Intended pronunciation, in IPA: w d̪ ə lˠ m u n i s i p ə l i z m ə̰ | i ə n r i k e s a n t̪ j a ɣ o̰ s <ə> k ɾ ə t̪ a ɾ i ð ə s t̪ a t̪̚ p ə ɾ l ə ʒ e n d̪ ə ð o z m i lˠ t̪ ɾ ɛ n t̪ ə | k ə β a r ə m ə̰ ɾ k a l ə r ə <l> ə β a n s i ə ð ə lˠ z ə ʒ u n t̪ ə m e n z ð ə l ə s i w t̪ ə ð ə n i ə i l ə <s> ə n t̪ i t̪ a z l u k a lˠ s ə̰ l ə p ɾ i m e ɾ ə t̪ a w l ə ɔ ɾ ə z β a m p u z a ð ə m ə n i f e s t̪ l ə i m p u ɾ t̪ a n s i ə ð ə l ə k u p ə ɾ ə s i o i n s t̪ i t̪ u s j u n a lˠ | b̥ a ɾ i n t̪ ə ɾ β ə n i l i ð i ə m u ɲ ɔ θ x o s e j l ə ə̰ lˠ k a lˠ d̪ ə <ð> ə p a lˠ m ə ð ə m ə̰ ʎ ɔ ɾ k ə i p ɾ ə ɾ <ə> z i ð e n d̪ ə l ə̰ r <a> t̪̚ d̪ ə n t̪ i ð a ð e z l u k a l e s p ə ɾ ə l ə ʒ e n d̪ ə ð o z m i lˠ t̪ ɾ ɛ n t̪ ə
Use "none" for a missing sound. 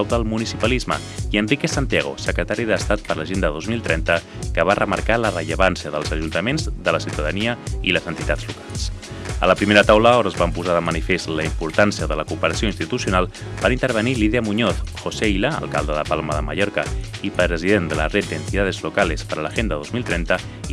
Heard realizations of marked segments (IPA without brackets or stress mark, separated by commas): ə, ʎ, z, ð, ə, e